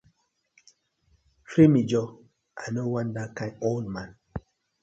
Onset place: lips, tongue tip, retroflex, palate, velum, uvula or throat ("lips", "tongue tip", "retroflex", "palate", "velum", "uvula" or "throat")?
lips